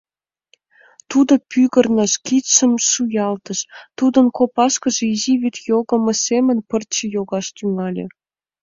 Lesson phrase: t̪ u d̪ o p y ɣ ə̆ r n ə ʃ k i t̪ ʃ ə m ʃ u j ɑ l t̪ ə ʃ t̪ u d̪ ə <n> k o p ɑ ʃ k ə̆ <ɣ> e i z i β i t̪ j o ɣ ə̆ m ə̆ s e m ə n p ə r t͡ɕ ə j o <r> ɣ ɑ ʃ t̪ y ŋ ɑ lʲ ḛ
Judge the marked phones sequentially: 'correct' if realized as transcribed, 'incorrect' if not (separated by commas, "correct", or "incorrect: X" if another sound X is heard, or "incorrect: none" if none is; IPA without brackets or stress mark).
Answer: correct, incorrect: ʒ, incorrect: none